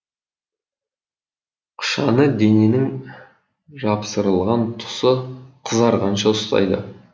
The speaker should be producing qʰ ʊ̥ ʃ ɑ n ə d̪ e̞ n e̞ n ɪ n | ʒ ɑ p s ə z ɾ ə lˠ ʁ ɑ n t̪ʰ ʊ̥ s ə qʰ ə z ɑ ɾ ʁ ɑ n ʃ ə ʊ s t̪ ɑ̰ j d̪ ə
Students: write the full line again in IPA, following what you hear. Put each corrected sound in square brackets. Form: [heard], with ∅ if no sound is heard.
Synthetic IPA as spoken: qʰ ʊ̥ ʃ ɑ n ə d̪ e̞ n e̞ n ɪ [ŋ] | ʒ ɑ p s ə [∅] ɾ ə lˠ ʁ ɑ n t̪ʰ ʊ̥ s ə qʰ ə z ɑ ɾ ʁ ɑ n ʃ [ɑ] ʊ s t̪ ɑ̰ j d̪ ə